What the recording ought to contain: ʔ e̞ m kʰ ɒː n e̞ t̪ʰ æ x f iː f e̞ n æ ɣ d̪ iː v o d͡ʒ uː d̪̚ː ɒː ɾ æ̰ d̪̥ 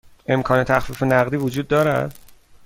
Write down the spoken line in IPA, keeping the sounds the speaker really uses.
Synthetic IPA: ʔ e̞ m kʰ ɒː n e̞ t̪ʰ æ x f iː f e̞ n æ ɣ d̪ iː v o d͡ʒ uː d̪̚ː ɒː ɾ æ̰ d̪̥